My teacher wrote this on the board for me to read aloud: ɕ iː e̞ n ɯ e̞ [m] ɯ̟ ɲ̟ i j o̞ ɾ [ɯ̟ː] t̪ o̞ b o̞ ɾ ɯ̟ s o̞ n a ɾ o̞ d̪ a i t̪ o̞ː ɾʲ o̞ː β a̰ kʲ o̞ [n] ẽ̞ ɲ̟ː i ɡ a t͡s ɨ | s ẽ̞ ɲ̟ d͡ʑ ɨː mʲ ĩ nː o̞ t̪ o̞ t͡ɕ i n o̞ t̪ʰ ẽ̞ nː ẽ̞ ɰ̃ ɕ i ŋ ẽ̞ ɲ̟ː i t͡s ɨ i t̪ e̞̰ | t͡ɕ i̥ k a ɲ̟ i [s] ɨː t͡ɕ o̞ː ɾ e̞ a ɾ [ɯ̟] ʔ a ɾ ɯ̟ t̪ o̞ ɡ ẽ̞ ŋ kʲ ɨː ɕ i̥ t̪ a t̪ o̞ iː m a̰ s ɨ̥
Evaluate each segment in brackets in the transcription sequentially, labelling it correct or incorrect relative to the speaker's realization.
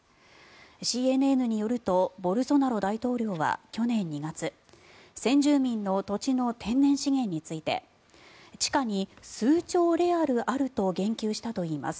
incorrect: n, incorrect: ɯ̟, correct, correct, correct

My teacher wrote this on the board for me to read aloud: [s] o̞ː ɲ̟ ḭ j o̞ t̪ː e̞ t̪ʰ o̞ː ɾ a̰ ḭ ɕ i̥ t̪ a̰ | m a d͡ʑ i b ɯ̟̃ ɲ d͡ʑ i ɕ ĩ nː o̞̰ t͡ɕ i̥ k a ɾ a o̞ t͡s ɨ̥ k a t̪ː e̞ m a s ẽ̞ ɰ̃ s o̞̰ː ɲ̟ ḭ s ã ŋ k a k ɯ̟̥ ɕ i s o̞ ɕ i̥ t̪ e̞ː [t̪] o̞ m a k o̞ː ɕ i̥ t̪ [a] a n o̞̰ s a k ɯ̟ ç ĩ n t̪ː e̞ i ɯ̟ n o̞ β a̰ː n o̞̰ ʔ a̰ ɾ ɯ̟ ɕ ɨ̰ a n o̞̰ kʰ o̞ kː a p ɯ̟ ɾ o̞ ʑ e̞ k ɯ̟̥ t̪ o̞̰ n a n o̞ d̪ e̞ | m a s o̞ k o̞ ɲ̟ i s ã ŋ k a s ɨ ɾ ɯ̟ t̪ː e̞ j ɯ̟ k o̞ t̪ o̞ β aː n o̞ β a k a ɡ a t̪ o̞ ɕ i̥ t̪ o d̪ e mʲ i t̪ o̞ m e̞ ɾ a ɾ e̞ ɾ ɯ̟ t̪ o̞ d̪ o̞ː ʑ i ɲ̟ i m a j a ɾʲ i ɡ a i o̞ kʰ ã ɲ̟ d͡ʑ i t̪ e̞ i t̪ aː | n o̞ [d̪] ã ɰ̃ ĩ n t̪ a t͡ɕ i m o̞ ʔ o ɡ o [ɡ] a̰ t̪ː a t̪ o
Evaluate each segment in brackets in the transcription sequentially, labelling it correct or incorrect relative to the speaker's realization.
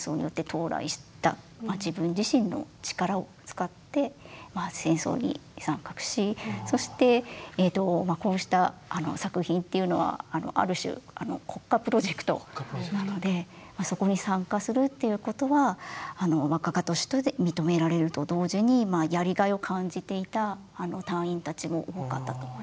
correct, correct, correct, incorrect: t̪, incorrect: k

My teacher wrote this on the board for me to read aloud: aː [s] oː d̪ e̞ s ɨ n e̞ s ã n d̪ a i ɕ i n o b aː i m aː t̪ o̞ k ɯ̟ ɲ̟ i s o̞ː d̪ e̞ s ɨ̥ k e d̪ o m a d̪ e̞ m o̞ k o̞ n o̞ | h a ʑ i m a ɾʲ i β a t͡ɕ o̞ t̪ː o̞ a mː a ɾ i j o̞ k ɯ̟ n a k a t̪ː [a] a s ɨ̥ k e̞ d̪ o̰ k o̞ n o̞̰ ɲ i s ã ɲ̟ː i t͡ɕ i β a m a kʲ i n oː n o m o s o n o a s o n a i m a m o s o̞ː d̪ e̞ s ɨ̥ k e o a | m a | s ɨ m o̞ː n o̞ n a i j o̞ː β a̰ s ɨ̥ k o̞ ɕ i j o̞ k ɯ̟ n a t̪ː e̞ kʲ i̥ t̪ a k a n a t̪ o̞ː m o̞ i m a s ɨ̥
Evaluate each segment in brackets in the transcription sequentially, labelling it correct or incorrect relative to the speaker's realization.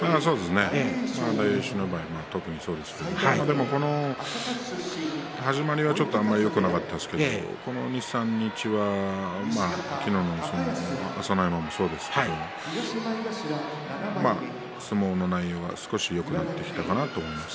correct, incorrect: e

